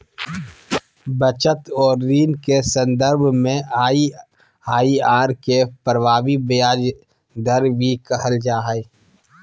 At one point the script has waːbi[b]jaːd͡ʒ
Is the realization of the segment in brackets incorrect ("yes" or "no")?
no